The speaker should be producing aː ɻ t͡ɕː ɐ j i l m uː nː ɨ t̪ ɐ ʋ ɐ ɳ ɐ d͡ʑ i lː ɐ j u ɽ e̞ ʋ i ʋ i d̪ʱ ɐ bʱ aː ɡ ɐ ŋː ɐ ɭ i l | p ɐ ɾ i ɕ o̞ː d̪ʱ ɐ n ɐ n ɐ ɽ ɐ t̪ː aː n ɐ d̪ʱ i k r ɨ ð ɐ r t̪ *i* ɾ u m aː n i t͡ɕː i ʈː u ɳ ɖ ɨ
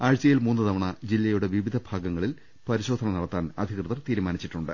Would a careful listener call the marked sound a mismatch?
yes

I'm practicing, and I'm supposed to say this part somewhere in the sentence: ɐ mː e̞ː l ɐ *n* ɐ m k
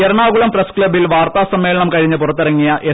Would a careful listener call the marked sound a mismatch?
yes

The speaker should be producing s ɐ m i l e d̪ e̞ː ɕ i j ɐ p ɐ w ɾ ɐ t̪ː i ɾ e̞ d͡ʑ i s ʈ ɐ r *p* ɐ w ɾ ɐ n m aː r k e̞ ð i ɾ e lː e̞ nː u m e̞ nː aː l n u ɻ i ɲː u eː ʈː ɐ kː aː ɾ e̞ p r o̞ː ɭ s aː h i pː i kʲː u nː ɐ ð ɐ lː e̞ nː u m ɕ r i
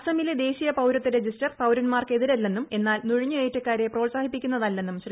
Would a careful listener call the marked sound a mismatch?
no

